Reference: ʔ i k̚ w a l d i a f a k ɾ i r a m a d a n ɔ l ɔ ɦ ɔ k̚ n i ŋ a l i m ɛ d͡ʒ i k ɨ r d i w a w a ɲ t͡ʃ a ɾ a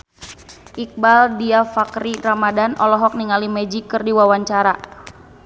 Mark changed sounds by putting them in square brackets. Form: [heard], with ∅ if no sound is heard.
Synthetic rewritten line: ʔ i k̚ [b] a l d i a f a k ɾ i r a m a d a n ɔ l ɔ ɦ ɔ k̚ n i ŋ a l i m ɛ d͡ʒ i k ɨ r d i w a w a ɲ t͡ʃ a ɾ a